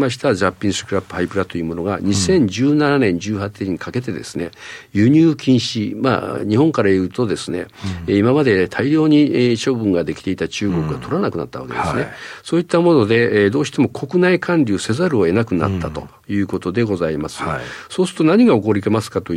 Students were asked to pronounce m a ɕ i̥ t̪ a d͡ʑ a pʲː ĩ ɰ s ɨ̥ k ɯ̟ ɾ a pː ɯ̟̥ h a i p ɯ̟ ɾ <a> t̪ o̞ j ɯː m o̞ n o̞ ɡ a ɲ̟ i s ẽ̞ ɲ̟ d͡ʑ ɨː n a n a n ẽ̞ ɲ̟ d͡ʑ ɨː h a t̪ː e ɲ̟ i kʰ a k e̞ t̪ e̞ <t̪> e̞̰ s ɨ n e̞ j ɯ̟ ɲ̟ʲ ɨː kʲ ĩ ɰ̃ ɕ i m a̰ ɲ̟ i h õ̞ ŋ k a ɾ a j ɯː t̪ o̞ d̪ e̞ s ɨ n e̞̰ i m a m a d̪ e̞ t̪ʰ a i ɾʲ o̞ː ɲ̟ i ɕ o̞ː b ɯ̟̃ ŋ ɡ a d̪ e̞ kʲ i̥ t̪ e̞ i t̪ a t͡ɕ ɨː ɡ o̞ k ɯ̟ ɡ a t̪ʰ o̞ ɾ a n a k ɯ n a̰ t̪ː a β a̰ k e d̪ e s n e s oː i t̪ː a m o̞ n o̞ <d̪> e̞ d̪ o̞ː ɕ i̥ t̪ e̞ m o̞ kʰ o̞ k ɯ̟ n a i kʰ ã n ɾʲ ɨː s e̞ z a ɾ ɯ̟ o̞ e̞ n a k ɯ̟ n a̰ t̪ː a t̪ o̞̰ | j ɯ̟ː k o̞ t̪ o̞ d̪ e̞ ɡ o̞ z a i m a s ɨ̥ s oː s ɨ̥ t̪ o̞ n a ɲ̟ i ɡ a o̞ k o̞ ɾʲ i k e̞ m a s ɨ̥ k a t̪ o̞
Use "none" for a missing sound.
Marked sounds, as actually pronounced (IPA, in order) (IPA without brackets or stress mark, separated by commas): a, d̪, d̪